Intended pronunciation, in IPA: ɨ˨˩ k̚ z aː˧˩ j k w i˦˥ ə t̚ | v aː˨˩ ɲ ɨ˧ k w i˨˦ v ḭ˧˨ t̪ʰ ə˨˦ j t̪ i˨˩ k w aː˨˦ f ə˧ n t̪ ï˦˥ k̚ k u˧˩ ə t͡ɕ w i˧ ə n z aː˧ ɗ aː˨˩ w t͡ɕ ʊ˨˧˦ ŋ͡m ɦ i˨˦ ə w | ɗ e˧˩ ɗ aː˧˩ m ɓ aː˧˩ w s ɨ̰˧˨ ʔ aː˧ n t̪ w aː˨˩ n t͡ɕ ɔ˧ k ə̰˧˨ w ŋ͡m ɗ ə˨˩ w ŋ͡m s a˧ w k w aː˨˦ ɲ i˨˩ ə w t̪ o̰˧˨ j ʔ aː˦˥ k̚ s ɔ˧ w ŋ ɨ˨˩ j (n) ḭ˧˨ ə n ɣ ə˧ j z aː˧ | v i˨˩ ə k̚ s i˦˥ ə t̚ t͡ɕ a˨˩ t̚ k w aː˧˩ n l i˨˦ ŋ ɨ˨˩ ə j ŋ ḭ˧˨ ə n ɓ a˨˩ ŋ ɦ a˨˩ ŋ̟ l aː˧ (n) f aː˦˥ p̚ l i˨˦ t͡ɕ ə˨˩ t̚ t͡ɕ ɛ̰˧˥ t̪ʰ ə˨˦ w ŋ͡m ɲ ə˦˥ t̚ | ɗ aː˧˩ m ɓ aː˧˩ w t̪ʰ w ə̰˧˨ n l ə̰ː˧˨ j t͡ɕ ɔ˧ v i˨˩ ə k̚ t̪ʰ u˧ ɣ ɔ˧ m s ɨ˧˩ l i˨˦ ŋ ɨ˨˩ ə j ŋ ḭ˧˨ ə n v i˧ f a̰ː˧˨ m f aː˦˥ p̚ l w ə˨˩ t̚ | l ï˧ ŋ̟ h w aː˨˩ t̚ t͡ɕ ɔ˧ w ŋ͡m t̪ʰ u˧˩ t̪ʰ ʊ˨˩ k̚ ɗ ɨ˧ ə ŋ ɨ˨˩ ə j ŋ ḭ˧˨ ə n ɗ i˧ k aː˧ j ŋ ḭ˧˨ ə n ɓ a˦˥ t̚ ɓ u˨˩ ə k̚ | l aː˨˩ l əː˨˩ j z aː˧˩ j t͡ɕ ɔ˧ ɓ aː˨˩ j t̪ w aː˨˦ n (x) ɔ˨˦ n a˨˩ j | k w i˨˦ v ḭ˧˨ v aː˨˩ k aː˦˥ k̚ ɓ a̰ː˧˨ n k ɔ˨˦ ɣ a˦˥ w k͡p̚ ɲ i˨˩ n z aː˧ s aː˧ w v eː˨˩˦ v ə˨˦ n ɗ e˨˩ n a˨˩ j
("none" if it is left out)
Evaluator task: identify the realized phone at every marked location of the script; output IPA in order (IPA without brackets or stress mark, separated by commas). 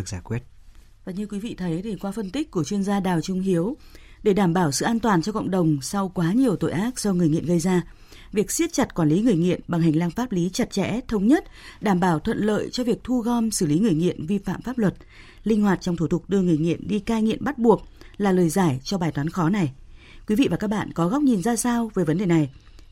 ŋ, ŋ, x